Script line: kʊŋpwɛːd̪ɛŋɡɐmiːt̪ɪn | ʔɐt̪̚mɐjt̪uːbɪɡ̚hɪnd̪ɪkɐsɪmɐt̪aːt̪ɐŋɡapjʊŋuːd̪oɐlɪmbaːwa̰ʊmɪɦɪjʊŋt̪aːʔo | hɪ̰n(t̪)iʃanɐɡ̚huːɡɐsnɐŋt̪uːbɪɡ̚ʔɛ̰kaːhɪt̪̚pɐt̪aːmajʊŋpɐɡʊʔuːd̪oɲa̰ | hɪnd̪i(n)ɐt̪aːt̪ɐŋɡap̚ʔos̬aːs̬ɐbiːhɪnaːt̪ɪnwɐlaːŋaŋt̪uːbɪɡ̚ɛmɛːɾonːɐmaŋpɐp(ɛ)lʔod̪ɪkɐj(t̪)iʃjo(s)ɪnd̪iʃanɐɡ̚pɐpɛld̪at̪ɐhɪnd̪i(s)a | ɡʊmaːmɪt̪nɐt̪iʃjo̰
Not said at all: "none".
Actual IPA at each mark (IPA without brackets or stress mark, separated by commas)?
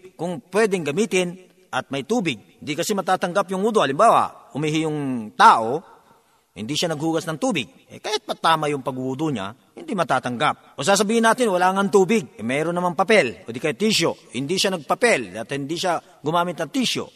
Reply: d̪, m, ɛ, t̪, h, ʃ